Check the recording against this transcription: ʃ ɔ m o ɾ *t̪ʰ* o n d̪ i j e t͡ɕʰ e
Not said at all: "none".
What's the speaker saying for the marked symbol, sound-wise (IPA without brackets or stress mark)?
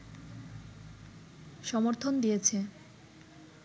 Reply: t̪ʰ